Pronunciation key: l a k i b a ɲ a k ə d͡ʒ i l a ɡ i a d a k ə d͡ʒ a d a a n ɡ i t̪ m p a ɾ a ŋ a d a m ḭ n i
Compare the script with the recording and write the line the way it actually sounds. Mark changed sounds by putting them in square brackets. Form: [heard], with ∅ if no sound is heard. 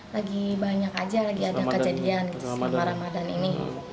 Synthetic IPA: l a [ɡ] i b a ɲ a k [a] d͡ʒ [a] l a ɡ i a d a k ə d͡ʒ a d [i] a n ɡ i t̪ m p a ɾ a [m] a d a [n] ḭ n i